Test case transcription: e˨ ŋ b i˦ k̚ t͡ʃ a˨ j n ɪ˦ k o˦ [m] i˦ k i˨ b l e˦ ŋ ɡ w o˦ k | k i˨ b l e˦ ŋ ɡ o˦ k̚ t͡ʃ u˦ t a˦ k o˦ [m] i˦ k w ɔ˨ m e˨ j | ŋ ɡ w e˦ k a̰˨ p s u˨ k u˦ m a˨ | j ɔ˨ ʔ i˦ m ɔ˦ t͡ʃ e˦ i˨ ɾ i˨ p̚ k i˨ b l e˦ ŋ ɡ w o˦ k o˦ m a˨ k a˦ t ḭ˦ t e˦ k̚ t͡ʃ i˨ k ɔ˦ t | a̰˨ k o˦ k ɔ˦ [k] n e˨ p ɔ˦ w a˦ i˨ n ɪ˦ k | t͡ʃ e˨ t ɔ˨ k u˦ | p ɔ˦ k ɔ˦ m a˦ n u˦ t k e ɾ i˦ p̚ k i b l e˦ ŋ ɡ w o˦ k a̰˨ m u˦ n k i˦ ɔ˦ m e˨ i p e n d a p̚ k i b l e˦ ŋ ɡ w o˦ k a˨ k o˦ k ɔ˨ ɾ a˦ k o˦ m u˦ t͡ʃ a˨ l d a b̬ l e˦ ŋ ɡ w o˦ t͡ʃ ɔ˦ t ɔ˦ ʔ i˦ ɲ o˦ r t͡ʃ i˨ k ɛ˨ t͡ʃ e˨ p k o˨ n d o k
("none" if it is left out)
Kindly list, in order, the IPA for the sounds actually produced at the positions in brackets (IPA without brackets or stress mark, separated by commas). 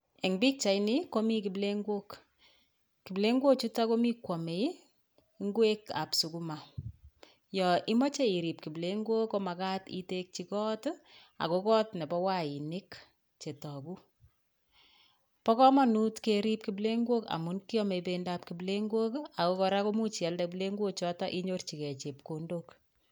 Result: m, m, t